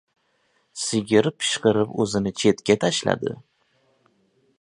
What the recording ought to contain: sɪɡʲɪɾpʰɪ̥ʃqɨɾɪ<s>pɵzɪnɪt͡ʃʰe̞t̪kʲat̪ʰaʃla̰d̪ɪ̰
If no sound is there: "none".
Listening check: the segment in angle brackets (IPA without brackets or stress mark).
none